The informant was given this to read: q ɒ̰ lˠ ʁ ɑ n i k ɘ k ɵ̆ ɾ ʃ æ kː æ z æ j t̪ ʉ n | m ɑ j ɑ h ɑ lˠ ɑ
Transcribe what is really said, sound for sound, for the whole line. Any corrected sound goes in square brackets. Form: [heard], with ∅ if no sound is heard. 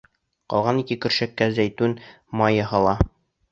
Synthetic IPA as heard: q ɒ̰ lˠ ʁ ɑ n i k ɘ k ɵ̆ ɾ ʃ æ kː æ z æ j t̪ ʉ n | m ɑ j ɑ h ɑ lˠ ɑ